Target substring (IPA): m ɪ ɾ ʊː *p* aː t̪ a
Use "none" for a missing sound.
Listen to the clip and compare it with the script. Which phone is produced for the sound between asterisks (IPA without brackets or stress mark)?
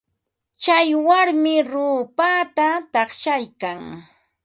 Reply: p